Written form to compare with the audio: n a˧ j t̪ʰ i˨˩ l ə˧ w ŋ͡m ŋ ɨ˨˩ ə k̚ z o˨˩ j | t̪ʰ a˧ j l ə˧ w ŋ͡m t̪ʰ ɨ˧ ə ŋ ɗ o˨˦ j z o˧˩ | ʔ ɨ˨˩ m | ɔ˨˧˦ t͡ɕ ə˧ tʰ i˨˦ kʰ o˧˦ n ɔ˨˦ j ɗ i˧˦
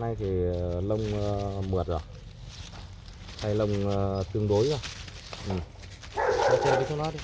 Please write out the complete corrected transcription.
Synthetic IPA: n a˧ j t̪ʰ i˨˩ l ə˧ w ŋ͡m m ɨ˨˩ ə t̚ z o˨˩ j | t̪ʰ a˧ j l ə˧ w ŋ͡m t̪ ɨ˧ ə ŋ ɗ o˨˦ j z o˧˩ | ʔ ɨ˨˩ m | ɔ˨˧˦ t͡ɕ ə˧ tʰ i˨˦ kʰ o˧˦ n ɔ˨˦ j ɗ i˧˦